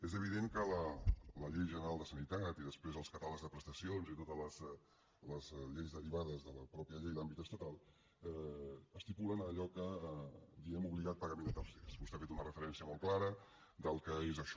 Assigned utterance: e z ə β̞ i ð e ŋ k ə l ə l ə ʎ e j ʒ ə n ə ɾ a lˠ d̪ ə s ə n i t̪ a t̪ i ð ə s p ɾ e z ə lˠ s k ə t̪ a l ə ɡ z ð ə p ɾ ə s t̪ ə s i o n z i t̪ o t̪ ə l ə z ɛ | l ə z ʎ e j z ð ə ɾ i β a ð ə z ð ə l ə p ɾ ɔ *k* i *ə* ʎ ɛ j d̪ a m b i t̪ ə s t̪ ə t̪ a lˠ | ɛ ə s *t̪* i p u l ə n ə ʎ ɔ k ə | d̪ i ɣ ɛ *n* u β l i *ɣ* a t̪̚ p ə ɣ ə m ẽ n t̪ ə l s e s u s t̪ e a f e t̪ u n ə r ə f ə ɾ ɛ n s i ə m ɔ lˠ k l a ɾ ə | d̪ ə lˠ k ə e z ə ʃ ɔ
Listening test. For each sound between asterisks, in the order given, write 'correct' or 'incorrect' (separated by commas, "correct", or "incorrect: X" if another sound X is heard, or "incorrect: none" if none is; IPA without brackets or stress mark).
incorrect: p, correct, correct, incorrect: m, correct